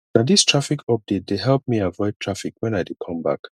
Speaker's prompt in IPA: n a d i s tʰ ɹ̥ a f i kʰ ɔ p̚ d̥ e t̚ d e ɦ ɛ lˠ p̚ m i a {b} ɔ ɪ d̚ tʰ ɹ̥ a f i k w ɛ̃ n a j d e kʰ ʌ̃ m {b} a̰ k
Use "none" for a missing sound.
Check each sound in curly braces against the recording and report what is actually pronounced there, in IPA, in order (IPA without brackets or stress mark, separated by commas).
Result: v, b